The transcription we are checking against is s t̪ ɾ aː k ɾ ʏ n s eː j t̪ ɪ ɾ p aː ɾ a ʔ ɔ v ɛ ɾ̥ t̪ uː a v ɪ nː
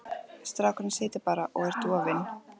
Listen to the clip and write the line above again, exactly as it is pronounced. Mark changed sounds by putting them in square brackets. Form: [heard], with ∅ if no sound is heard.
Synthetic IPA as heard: s t̪ ɾ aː k ɾ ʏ n s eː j t̪ ɪ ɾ p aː ɾ a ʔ ɔ [ɣ] ɛ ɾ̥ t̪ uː a v ɪ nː